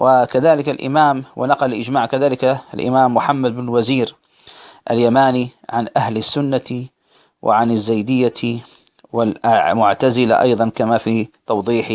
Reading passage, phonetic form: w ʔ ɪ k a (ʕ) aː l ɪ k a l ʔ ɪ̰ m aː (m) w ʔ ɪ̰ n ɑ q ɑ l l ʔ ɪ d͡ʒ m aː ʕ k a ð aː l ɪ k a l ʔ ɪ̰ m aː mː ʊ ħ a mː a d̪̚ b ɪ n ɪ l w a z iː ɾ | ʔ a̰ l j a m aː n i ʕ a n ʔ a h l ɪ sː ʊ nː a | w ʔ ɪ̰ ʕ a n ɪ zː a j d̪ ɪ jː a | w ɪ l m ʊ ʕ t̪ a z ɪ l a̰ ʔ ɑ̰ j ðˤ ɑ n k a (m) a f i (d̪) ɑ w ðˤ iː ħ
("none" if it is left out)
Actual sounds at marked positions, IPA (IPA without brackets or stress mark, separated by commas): ð, m, m, t̪